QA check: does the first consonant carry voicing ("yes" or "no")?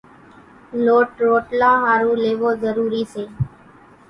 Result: yes